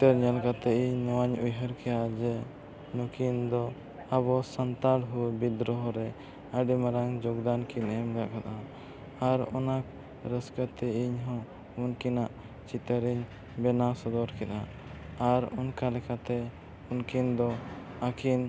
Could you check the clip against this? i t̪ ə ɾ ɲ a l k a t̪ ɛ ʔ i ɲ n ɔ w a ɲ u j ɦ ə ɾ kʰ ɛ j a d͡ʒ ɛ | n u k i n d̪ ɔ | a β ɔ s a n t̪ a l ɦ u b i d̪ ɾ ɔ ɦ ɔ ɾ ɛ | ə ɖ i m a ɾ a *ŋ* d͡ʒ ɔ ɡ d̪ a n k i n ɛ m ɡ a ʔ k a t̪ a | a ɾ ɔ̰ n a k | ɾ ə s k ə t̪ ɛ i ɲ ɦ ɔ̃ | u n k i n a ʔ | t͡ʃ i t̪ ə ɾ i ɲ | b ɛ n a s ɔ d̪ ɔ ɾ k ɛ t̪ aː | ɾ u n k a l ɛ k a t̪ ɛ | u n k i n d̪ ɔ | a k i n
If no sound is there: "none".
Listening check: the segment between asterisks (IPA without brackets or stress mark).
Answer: ŋ